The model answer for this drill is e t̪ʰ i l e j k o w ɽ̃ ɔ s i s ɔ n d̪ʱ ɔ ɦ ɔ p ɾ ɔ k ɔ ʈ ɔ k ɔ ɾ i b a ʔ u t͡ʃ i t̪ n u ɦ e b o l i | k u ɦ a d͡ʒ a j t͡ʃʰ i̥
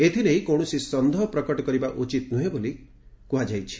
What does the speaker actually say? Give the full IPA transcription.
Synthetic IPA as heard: e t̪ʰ i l e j k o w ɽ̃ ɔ s i s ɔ n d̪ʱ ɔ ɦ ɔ p ɾ ɔ k ɔ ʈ ɔ k ɔ ɾ i b a ʔ u t͡ʃ i t̪ n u ɦ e b o l i | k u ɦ a d͡ʒ a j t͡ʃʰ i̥